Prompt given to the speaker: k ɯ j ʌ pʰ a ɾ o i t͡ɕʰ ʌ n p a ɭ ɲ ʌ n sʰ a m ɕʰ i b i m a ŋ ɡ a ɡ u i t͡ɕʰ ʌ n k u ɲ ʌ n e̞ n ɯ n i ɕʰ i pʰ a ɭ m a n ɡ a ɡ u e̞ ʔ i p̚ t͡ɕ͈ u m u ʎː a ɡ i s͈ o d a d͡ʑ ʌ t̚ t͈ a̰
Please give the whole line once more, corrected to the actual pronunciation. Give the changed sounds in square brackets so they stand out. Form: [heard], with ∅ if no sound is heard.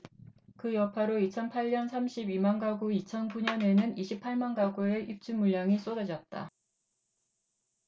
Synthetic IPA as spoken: k ɯ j ʌ pʰ a ɾ o i t͡ɕʰ ʌ n [pʰ] a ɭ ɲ ʌ n sʰ a m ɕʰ i b i m a [n] ɡ a ɡ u i t͡ɕʰ ʌ n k u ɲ ʌ n e̞ n ɯ n i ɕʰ i pʰ a ɭ m a n ɡ a ɡ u e̞ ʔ i p̚ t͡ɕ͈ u m u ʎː a [ŋ] i s͈ o d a d͡ʑ ʌ t̚ t͈ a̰

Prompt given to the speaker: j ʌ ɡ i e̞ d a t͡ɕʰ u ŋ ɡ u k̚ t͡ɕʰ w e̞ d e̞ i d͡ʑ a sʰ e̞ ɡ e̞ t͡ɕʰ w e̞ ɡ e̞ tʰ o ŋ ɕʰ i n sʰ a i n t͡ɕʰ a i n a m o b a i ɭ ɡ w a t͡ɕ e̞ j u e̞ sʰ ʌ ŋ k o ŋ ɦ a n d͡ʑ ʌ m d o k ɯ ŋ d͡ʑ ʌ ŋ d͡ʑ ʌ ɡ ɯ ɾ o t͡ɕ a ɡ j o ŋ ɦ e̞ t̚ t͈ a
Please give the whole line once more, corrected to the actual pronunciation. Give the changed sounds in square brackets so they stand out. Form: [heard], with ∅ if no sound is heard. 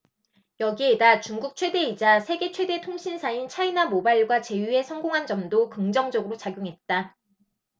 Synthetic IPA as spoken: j ʌ ɡ i e̞ d a [t͡ɕ] u ŋ ɡ u k̚ t͡ɕʰ w e̞ d e̞ i d͡ʑ a sʰ e̞ ɡ e̞ t͡ɕʰ w e̞ [d] e̞ tʰ o ŋ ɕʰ i n sʰ a i n t͡ɕʰ a i n a m o b a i ɭ ɡ w a t͡ɕ e̞ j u e̞ sʰ ʌ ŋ [ɡ] o ŋ ɦ a n d͡ʑ ʌ m d o k ɯ ŋ d͡ʑ ʌ ŋ d͡ʑ ʌ ɡ ɯ ɾ o t͡ɕ a ɡ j o ŋ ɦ e̞ t̚ t͈ a

